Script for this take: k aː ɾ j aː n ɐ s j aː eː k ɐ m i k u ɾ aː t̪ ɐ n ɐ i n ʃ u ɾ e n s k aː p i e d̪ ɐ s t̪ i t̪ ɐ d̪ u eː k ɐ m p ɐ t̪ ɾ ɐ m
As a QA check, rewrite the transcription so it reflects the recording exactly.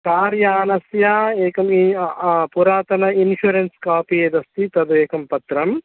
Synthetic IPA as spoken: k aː ɾ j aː n ɐ s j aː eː k ɐ m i p u ɾ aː t̪ ɐ n ɐ i n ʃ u ɾ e n s k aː p i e d̪ ɐ s t̪ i t̪ ɐ d̪ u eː k ɐ m p ɐ t̪ ɾ ɐ m